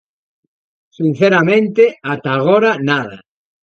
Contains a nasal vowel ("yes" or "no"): yes